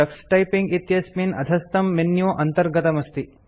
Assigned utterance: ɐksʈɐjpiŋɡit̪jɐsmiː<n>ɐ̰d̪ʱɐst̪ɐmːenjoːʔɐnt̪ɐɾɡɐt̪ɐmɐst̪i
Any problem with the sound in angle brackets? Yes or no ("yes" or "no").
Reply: no